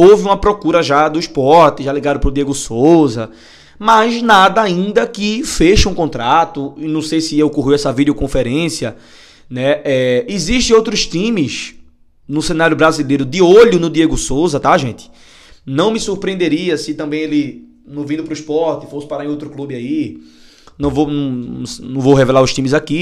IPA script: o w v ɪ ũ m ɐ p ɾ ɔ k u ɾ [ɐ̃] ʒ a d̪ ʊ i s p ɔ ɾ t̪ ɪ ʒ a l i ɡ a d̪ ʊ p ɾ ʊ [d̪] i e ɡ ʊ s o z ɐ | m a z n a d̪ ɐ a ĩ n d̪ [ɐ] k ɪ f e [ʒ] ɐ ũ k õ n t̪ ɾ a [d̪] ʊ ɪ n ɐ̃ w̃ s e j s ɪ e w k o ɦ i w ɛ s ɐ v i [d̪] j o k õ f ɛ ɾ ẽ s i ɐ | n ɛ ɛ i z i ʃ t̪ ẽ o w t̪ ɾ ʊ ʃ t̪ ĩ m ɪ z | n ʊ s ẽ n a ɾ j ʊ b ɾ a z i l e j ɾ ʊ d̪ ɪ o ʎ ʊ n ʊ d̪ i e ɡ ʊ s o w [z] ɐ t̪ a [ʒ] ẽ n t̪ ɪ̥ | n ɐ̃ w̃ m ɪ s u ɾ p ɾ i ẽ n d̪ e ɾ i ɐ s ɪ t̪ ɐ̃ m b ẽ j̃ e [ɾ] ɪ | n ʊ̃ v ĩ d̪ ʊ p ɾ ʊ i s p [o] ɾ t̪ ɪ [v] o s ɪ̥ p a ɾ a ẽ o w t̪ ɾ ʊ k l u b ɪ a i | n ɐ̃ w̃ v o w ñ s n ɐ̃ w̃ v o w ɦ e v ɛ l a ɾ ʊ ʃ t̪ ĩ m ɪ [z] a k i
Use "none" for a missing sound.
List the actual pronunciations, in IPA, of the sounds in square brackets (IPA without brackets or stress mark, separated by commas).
ɐ, d̪, ɐ, ʃ, t̪, d̪, z, ʒ, l, ɔ, f, z